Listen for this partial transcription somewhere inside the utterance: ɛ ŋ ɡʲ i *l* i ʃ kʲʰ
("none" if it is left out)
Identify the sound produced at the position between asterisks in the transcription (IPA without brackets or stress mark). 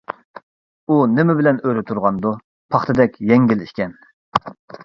l